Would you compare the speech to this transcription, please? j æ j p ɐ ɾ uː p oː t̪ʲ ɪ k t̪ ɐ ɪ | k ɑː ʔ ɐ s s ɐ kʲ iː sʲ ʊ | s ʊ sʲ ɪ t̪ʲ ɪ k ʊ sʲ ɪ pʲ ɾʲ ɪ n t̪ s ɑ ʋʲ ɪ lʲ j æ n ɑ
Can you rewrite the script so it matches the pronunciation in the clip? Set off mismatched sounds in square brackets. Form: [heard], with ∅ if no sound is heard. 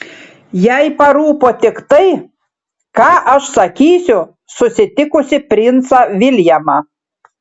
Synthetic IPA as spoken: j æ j p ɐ ɾ uː p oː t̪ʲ ɪ k t̪ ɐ ɪ | k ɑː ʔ ɐ [ʃ] s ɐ kʲ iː sʲ ʊ | s ʊ sʲ ɪ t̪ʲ ɪ k ʊ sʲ ɪ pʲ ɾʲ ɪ n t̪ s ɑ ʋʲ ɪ lʲ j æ [m] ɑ